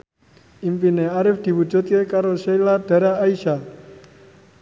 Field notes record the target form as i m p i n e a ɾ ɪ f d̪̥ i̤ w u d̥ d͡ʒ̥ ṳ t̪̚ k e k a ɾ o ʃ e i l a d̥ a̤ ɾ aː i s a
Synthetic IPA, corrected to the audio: i m p i n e a ɾ ɪ f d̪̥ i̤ w u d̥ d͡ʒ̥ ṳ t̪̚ k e k a ɾ o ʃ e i l a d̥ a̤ ɾ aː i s a